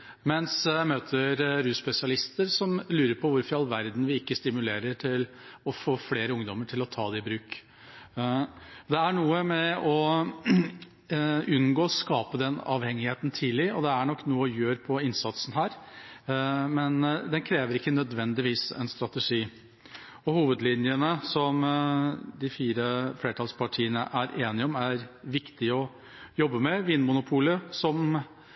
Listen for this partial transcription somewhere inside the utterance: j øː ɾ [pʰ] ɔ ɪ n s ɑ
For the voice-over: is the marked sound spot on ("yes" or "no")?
yes